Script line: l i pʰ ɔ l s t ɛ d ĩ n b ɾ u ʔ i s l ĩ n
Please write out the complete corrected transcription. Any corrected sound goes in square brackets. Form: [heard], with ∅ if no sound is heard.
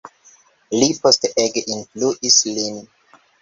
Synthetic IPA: l i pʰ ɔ [∅] s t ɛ [ɡ] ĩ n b [l] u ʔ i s l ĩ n

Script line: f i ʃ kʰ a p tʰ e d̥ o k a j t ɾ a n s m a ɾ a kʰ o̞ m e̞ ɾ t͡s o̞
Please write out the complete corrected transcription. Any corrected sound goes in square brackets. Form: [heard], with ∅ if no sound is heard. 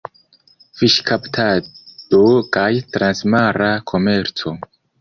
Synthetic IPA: f i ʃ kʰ a p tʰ [a] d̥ o k a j t ɾ a n s m a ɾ a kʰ o̞ m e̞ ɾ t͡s o̞

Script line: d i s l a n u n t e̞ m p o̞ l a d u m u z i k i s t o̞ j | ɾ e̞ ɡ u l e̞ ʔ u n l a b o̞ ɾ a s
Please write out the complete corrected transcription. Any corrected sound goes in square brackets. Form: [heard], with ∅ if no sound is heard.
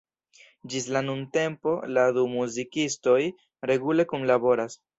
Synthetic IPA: [d͡ʒ] i s l a n u n t e̞ m p o̞ l a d u m u z i k i s t o̞ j | ɾ e̞ ɡ u l e̞ [k] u n l a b o̞ ɾ a s

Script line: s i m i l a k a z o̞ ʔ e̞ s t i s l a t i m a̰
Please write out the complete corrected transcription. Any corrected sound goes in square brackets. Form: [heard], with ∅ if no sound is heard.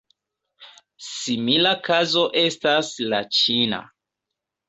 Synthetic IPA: s i m i l a k a z o̞ ʔ e̞ s t [a] s l a [t͡ʃ] i [n] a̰

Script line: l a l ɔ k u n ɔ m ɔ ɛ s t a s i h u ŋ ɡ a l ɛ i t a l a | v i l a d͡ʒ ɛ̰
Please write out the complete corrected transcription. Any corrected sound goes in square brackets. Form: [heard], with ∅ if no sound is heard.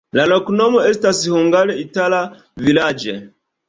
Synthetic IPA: l a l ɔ k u n ɔ m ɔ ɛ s t a s i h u ŋ ɡ a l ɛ i t a l a | v i l a d͡ʒ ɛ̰

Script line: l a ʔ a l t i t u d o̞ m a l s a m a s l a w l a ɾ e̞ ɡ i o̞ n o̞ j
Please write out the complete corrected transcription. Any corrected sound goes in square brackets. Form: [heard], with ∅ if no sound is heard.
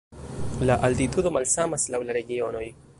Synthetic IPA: l a ʔ a l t i t u d o̞ m a l s a m a s l a w l a ɾ e̞ ɡ i o̞ n o̞ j

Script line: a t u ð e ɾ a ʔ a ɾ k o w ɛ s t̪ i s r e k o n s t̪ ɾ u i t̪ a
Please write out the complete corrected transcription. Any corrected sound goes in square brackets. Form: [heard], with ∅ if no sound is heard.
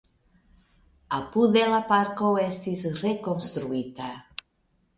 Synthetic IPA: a [p] u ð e [l] a [p] a ɾ k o w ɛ s t̪ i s r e k o n s t̪ ɾ u i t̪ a

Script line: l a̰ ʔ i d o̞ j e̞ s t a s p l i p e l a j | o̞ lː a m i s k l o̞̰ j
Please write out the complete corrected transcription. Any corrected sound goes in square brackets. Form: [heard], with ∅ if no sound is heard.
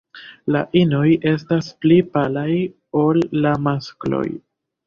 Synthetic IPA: l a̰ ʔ i [n] o̞ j e̞ s t a s p l i p [a] l a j | o̞ lː a m [a] s k l o̞̰ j

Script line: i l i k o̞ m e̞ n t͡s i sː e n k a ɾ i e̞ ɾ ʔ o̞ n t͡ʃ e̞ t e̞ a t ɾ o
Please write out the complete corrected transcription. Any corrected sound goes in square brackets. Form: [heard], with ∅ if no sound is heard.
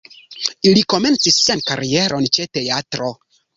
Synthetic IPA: i l i k o̞ m e̞ n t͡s i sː e n k a ɾ i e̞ ɾ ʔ o̞ n t͡ʃ e̞ t e̞ a t ɾ o

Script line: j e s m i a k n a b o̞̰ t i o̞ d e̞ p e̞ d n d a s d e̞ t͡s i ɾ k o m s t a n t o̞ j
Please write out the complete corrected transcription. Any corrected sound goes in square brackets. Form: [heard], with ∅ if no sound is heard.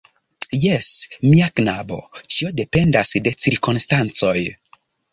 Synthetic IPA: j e s m i a k n a b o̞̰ [t͡ʃ] i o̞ d e̞ p e̞ [∅] n d a s d e̞ t͡s i ɾ k o [n] s t a n [t͡s] o̞ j

